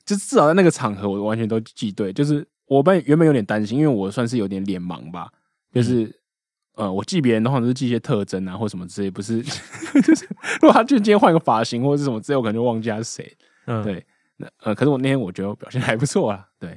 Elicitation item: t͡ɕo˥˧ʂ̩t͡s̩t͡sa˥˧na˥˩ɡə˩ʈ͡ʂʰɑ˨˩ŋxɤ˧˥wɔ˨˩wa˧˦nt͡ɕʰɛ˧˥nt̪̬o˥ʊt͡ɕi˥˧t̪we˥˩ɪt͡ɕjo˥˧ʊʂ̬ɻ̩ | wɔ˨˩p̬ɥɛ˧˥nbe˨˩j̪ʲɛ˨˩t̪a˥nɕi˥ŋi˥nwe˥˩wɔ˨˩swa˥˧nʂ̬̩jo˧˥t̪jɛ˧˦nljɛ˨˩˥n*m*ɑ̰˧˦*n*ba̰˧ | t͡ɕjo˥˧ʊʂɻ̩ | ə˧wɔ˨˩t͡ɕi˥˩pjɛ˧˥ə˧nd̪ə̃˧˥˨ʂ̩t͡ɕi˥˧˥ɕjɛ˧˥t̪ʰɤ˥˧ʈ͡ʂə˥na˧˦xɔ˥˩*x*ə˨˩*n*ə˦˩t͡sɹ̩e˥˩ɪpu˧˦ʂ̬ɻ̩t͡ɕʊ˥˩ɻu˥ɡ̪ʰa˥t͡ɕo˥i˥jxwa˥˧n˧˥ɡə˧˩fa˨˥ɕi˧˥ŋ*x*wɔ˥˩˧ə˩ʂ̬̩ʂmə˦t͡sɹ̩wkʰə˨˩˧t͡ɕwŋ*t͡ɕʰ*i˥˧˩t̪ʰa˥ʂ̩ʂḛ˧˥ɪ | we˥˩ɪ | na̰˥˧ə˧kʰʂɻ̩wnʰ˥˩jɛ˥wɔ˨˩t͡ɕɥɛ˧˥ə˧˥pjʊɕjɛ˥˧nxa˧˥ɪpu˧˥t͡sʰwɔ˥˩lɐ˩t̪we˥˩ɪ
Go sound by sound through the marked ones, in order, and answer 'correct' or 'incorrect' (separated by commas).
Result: correct, incorrect, incorrect, incorrect, correct, incorrect